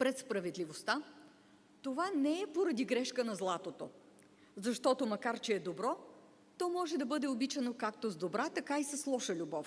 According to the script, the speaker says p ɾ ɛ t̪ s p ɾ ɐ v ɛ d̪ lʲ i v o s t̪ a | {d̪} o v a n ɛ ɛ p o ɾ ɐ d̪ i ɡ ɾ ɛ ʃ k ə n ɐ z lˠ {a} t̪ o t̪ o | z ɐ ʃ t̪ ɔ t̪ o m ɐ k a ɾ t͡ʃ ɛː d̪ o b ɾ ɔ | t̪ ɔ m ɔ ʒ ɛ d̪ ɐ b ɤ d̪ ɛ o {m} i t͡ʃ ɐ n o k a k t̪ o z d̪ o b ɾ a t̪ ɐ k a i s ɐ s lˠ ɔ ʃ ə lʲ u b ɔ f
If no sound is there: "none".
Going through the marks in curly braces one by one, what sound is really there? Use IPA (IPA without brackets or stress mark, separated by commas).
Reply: t̪, a, b